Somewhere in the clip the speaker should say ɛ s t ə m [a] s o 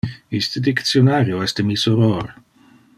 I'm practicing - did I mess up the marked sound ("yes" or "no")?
yes